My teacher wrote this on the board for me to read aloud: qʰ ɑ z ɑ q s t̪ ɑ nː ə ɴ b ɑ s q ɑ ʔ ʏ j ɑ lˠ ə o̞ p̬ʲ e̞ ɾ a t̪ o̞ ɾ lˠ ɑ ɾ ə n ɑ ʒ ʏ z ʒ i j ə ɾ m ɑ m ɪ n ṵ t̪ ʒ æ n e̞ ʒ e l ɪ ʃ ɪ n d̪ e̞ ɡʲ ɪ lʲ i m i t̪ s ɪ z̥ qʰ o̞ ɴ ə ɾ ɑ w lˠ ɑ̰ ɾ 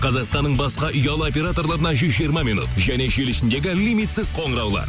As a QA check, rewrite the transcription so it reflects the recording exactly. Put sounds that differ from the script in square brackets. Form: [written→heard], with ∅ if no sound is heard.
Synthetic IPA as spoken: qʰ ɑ z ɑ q s t̪ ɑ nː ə ɴ b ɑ s q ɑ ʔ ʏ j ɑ lˠ ə o̞ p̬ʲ e̞ ɾ a t̪ o̞ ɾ lˠ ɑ ɾ ə n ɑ ʒ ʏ z ʒ i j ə ɾ m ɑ m [ɪ→i] n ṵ t̪ ʒ æ n e̞ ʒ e l ɪ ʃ ɪ n d̪ e̞ ɡʲ ɪ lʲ i m i t̪ s ɪ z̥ qʰ o̞ ɴ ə ɾ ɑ w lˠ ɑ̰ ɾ

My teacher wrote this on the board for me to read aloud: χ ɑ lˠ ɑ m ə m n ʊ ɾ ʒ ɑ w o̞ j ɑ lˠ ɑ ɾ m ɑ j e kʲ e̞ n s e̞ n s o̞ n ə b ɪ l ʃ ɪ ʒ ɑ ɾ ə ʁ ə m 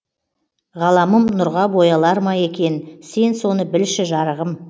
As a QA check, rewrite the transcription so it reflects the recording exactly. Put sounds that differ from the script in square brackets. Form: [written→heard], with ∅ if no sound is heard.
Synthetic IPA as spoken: [χ→ʁ] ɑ lˠ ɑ m ə m n ʊ ɾ [ʒ→ʁ] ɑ [w→b] o̞ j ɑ lˠ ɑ ɾ m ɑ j e kʲ e̞ n s e̞ n s o̞ n ə b ɪ l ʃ ɪ ʒ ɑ ɾ ə ʁ ə m

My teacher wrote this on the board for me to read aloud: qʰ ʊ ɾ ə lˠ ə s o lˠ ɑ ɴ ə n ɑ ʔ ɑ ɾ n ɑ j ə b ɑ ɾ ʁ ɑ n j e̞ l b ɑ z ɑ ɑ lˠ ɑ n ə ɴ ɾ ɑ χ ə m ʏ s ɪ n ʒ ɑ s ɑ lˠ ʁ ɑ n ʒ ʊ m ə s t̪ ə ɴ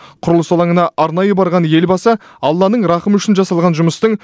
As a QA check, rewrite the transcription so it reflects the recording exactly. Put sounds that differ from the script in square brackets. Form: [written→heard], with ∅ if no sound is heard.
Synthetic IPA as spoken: qʰ ʊ ɾ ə lˠ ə s o lˠ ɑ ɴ ə n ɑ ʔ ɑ ɾ n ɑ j ə b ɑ ɾ ʁ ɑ n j e̞ l b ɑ [z→s] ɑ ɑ [lˠ→lˠː] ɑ n ə ɴ ɾ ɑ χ ə m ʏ [s→ʃ] ɪ n ʒ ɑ s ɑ lˠ ʁ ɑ n ʒ ʊ m ə s t̪ ə ɴ

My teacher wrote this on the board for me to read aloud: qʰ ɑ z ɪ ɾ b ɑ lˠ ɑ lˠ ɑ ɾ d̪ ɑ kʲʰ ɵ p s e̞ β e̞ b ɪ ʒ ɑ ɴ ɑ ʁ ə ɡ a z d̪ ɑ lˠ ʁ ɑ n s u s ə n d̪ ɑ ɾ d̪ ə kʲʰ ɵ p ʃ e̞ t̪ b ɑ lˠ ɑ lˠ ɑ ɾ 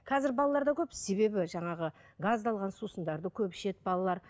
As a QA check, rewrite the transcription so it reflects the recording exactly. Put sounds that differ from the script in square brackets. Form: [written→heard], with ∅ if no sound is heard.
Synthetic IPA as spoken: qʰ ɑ z ɪ ɾ b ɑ lˠ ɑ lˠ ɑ ɾ d̪ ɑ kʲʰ ɵ p s e̞ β e̞ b ɪ ʒ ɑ ɴ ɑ ʁ ə ɡ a z d̪ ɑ lˠ ʁ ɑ n s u s ə n d̪ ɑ ɾ d̪ ə kʲʰ ɵ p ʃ e̞ t̪ b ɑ lˠ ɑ lˠ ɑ ɾ

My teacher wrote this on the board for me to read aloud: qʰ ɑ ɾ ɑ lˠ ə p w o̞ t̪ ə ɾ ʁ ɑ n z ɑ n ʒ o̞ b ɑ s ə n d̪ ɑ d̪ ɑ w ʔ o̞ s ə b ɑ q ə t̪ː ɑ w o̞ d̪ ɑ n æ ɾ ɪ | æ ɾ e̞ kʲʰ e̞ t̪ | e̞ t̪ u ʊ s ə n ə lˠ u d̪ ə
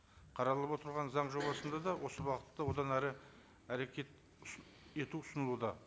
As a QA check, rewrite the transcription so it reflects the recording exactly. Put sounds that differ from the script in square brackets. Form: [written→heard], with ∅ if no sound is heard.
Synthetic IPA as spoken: qʰ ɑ ɾ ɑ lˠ ə p w o̞ t̪ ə ɾ ʁ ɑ n z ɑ [n→ɴ] ʒ o̞ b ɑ s ə n d̪ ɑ d̪ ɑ w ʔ o̞ s ə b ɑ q ə t̪ː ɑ w o̞ d̪ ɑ n æ ɾ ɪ | æ ɾ e̞ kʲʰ e̞ t̪ | e̞ t̪ u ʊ s ə n ə lˠ u d̪ [ə→ɑ]

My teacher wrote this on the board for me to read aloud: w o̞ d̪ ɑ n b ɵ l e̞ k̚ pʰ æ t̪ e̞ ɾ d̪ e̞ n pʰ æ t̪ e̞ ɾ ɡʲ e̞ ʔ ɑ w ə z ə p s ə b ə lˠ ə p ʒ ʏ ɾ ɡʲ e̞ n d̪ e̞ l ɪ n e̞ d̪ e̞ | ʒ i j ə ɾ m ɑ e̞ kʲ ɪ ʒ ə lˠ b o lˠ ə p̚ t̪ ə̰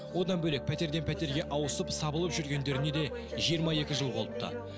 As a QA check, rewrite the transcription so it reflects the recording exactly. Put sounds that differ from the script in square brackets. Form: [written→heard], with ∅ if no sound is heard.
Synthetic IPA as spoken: w o̞ d̪ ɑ n b ɵ l e̞ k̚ pʰ æ t̪ e̞ ɾ d̪ e̞ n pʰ æ t̪ e̞ ɾ ɡʲ e̞ ʔ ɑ w ə [z→s] ə p s [ə→ɑ] b ə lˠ ə p ʒ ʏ ɾ ɡʲ e̞ n d̪ e̞ [l→ɾ] ɪ n e̞ d̪ e̞ | ʒ i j ə ɾ m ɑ e̞ kʲ ɪ ʒ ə lˠ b o lˠ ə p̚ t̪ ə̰

